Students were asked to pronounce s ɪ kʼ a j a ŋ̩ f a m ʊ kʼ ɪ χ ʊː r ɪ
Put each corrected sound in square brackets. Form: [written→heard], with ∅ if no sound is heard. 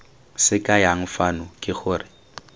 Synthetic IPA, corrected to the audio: s ɪ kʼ a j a ŋ̩ f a [m→n] ʊ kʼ ɪ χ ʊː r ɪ